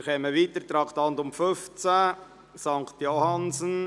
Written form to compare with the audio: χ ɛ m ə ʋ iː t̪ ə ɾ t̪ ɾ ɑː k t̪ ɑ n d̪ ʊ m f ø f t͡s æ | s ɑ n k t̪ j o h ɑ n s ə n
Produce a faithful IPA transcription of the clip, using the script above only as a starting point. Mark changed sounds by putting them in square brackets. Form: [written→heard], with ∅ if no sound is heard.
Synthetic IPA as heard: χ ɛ m ə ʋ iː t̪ ə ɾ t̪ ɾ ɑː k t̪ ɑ n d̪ ʊ m f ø f t͡s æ | s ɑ [n→ŋ] k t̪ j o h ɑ n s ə n